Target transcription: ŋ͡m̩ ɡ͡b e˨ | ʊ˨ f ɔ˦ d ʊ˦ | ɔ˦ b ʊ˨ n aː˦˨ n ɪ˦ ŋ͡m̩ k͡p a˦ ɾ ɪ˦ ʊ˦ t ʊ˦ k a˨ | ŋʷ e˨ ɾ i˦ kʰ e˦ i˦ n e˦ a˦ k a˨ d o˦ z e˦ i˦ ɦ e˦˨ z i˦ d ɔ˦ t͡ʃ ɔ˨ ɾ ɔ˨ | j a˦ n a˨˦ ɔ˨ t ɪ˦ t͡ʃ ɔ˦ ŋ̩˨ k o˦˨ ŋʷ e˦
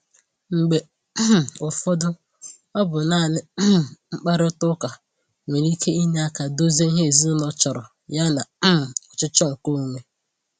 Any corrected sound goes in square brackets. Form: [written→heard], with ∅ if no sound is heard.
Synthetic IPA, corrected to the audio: ŋ͡m̩ ɡ͡b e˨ | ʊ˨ f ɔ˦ d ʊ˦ | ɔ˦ b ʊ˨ n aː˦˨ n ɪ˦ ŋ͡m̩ k͡p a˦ ɾ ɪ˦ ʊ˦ t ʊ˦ k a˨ | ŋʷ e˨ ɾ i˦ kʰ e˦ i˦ n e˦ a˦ k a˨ d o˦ z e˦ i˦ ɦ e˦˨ z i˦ [d→n] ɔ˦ t͡ʃ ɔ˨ ɾ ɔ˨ | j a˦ n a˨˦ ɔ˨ [t→t͡ʃ] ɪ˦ t͡ʃ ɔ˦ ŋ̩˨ k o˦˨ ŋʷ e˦